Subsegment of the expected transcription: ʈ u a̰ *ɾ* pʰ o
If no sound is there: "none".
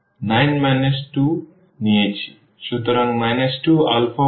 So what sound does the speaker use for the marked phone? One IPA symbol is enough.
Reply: l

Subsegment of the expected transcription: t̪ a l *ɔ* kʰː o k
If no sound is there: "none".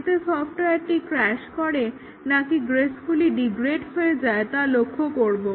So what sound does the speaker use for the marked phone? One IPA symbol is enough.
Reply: o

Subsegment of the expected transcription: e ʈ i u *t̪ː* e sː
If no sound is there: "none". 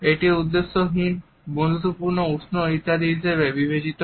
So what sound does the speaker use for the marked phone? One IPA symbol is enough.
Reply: d̪ː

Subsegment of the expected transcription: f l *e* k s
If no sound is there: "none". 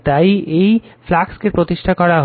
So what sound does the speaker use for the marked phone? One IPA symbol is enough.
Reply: a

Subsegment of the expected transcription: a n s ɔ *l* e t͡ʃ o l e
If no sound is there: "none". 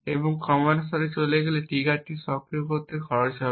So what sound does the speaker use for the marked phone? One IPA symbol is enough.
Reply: ɾ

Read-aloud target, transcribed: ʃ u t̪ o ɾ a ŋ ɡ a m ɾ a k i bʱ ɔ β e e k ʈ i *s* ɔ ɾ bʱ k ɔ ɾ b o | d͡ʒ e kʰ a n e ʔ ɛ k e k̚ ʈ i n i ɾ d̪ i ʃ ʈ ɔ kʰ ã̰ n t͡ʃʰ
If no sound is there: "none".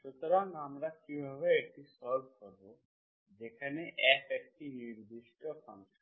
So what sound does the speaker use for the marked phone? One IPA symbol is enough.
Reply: s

